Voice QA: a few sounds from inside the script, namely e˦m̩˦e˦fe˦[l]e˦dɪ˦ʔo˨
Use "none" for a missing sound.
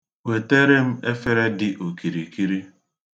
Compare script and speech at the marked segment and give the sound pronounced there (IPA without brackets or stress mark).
ɾ